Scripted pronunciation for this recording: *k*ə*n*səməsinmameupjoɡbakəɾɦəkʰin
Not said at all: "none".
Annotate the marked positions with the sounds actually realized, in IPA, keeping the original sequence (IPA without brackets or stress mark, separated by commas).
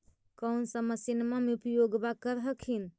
k, n